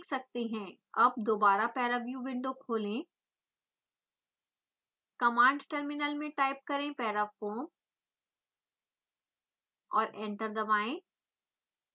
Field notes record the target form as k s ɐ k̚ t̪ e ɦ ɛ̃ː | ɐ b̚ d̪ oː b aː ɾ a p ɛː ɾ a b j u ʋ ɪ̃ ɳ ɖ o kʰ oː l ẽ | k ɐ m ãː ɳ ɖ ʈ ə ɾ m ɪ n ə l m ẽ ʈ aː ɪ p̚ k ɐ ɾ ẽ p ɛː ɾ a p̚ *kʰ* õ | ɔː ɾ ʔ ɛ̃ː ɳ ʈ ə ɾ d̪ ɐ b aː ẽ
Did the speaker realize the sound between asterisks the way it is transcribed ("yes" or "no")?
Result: no